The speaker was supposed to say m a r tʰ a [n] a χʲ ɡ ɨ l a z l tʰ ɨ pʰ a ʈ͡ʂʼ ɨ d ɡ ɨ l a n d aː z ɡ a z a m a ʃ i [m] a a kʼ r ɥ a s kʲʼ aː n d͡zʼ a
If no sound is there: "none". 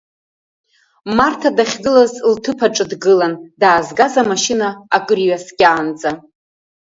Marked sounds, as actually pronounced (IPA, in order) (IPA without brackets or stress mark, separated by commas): d, n